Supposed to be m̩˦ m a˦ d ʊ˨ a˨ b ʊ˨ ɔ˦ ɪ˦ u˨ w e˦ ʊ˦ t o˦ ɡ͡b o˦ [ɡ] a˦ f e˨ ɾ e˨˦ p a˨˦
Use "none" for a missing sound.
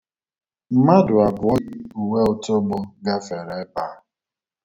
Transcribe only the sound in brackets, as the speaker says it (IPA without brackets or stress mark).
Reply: ɡ